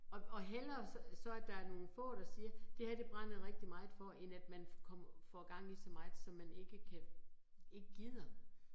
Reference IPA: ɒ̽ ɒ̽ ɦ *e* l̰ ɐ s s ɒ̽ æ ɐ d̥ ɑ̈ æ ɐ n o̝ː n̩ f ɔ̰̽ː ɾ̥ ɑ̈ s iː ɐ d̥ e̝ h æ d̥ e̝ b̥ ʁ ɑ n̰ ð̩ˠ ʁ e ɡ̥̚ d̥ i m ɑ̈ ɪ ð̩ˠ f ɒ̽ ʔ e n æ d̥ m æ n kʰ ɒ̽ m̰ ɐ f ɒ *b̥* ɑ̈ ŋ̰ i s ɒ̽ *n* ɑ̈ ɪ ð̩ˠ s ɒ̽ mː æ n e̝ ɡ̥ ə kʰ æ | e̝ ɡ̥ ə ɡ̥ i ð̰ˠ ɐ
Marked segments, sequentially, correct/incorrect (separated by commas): correct, incorrect, incorrect